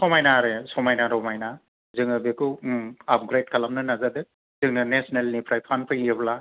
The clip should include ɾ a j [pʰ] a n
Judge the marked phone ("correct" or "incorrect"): correct